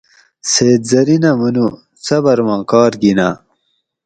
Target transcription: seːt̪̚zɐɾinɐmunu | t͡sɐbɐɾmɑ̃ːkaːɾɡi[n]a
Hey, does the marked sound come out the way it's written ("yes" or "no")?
yes